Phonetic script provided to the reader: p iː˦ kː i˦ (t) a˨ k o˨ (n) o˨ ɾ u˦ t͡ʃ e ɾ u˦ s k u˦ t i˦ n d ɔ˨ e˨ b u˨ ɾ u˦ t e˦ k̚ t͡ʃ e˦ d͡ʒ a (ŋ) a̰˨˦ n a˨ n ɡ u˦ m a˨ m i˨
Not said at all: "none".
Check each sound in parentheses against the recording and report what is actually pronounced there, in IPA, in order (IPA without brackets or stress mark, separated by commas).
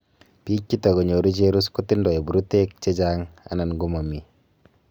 t, ɲ, ŋ